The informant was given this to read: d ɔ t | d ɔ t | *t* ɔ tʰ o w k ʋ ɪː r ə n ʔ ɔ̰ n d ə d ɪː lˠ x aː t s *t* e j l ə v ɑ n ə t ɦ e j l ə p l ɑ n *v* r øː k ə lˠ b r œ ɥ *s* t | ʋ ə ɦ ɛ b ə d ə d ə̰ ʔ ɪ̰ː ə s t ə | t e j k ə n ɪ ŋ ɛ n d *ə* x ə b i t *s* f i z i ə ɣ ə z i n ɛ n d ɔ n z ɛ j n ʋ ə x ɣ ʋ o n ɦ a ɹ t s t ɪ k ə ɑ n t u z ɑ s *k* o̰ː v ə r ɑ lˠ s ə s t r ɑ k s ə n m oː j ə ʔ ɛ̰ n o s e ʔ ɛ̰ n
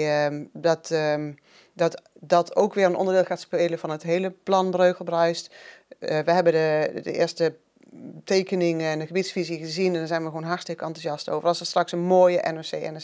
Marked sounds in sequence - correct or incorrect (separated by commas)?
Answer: incorrect, incorrect, incorrect, correct, correct, correct, incorrect